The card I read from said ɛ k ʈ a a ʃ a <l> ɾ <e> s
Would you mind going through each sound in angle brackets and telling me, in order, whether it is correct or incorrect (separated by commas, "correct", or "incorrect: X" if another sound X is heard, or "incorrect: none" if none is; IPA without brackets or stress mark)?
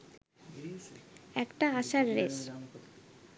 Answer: incorrect: ɾ, correct